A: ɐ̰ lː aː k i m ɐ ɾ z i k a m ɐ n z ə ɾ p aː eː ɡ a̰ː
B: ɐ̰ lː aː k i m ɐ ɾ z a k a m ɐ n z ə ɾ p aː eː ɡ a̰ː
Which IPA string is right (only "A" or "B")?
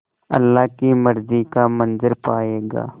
A